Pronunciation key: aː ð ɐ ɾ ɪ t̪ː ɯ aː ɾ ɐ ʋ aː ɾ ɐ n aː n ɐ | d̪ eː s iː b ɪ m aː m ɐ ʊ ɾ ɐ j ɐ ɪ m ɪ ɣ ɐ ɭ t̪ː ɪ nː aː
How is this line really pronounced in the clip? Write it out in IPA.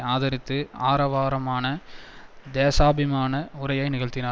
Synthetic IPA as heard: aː ð ɐ ɾ ɪ t̪ː ɯ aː ɾ ɐ ʋ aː ɾ ɐ m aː n ɐ | d̪ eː s aː b ɪ m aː n ɐ ʊ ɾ ɐ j ɐ ɪ n ɪ ɣ ɐ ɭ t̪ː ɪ n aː